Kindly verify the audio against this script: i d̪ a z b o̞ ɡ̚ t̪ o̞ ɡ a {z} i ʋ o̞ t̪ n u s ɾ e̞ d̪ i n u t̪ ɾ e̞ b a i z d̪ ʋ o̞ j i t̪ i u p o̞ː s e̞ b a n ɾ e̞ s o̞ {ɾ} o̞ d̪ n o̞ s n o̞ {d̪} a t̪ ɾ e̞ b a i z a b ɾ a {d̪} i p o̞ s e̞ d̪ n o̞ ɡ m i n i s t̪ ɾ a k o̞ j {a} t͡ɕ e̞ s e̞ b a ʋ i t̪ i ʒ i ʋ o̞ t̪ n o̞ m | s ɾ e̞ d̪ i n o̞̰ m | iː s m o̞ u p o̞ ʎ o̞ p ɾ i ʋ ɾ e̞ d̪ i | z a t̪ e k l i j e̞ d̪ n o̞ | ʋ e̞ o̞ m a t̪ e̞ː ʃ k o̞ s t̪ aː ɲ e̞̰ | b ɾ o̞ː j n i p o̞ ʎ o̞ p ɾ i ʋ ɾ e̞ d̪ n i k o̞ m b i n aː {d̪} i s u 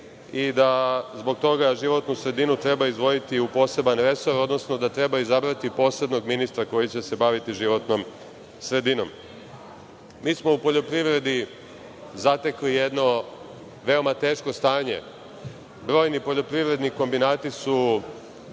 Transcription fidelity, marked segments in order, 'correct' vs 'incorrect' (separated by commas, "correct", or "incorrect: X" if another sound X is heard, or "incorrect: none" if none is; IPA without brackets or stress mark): incorrect: ʒ, correct, correct, incorrect: t̪, incorrect: i, incorrect: t̪